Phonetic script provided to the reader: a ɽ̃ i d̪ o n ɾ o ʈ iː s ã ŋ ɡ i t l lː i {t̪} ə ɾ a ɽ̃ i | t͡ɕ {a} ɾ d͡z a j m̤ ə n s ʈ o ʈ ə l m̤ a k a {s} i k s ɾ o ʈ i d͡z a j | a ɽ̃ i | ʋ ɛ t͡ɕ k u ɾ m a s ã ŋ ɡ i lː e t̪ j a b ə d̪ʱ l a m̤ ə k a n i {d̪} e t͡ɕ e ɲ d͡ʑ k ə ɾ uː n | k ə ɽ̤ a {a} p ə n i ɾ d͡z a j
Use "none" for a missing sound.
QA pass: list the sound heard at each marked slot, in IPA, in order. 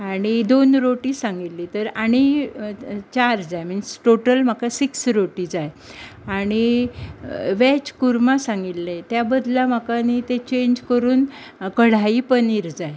t̪, a, s, t̪, i

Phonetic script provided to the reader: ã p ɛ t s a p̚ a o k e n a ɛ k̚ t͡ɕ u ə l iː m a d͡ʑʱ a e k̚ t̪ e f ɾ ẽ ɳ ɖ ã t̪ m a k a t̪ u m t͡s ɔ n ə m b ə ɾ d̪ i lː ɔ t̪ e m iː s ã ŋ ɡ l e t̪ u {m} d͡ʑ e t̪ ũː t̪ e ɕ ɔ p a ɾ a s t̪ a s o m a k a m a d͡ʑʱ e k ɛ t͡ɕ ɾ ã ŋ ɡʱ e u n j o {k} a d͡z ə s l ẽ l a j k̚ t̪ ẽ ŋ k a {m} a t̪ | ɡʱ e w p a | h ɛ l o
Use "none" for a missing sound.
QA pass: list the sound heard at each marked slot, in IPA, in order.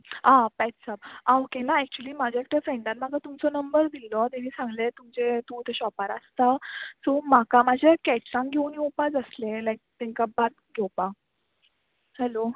m, p, b

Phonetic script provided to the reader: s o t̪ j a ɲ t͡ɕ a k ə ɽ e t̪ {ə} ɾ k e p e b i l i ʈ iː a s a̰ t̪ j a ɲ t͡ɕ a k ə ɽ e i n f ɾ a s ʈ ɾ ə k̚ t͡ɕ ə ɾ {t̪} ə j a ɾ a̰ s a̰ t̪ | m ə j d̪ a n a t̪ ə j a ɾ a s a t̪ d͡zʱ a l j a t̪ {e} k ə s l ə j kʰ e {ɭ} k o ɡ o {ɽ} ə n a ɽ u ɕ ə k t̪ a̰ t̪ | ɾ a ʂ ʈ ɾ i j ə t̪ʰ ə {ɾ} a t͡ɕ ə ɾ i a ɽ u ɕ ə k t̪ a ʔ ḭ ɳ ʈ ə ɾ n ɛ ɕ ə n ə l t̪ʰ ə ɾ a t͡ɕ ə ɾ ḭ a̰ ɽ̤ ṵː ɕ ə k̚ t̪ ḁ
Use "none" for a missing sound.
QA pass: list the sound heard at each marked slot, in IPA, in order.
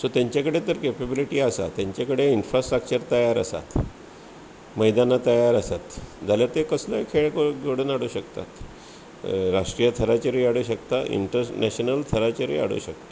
ə, t̪, e, ɭ, ɽ, ɾ

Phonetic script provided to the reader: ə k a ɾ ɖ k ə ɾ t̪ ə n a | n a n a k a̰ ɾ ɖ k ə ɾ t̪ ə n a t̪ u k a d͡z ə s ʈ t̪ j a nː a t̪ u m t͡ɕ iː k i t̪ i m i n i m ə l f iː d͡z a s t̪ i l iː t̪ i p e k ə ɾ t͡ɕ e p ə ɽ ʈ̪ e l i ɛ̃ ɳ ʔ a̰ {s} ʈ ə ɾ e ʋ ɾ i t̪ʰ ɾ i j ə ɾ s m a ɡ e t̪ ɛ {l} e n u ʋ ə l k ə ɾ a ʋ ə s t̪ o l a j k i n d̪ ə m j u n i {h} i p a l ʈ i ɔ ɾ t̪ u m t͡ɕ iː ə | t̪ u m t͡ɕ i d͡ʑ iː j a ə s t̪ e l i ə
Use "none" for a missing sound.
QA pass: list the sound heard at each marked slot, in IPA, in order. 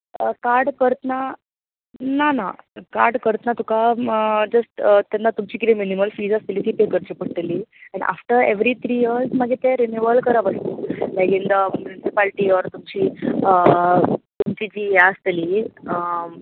f, ɾ, s

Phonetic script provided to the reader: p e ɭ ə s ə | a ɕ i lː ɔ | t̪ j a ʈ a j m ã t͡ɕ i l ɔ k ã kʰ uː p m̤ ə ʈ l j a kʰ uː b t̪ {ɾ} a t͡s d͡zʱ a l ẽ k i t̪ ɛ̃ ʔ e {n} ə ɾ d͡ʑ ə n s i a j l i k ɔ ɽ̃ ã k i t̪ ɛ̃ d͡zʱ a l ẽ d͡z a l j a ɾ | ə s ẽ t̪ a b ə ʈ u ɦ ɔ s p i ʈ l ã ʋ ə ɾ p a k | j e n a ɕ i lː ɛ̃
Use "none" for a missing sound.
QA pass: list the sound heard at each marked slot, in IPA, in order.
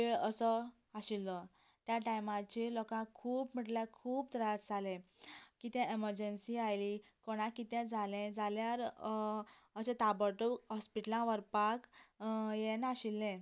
ɾ, m

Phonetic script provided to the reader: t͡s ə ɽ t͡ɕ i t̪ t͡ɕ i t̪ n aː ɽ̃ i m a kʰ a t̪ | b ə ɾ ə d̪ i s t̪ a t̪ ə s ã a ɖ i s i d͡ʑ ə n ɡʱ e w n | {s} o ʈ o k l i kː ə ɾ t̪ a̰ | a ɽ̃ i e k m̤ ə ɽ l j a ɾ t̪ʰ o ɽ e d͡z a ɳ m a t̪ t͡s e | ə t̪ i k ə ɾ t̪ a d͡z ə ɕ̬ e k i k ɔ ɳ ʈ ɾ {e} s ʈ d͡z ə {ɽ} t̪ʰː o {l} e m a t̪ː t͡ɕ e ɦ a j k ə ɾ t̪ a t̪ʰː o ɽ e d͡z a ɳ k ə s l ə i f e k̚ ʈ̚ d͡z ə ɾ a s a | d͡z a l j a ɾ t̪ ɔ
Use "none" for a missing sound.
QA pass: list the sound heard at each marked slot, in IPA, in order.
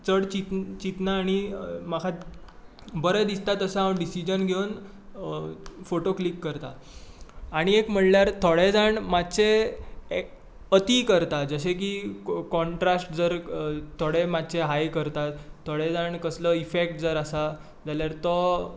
f, a, ɾ, ɽ

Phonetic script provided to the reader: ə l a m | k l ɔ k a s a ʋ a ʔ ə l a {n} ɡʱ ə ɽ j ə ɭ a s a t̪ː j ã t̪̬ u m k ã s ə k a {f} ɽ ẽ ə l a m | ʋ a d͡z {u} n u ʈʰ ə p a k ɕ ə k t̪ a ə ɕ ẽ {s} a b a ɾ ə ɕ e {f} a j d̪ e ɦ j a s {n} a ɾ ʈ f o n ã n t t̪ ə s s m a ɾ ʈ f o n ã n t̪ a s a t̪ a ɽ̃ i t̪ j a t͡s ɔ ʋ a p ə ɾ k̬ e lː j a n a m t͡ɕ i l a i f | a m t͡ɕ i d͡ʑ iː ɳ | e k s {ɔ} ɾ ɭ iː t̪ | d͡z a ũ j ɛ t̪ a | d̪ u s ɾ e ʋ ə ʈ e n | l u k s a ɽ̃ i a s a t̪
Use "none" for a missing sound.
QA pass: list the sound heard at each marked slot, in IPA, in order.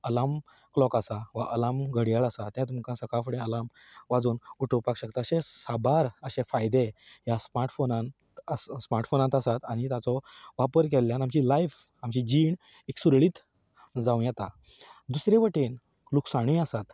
m, f, uː, s, f, m, u

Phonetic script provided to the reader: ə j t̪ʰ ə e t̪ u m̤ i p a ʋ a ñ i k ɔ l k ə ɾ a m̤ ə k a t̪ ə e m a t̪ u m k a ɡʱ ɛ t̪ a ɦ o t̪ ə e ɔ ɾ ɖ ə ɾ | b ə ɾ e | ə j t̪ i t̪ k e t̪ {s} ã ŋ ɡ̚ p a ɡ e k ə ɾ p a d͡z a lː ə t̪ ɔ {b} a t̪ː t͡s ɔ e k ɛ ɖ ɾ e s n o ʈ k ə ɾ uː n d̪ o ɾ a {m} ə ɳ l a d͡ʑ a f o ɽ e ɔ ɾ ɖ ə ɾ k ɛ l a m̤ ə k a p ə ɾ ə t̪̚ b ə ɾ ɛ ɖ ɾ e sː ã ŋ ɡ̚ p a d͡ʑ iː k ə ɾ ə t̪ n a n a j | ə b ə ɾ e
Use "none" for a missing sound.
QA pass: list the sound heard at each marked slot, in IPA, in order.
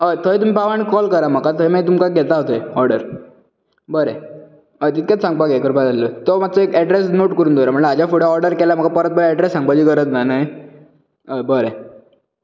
s, m, m

